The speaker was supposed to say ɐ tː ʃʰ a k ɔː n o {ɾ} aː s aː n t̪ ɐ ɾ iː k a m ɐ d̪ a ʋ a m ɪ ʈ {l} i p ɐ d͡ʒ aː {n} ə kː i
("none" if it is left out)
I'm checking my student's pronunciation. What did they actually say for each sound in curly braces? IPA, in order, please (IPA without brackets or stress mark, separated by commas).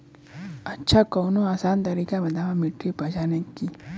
none, ɾ, n